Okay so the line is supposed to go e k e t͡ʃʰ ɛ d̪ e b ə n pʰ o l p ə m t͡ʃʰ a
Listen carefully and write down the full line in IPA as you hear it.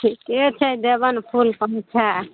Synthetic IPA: i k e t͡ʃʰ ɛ d̪ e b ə n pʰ u l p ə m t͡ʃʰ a